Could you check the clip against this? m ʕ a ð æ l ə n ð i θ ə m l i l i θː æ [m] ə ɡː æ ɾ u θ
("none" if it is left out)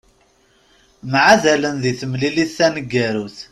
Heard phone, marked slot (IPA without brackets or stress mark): n